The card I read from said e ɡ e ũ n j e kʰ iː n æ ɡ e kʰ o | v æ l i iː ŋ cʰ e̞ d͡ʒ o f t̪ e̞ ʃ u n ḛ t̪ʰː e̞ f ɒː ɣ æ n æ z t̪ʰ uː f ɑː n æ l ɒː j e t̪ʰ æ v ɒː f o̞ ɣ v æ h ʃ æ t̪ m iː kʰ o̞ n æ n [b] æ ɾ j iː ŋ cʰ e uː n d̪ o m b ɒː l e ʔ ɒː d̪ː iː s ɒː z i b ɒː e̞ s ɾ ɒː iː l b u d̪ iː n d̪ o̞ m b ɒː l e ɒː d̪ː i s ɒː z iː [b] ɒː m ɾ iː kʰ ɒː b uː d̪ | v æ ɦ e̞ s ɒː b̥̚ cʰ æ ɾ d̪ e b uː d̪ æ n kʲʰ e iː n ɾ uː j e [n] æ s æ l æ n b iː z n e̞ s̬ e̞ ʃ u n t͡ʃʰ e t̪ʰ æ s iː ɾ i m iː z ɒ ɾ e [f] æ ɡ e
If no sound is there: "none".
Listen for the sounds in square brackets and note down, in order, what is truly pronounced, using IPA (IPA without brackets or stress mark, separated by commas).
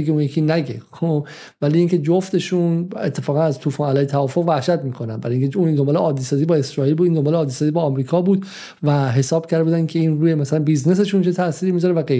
b, b, m, v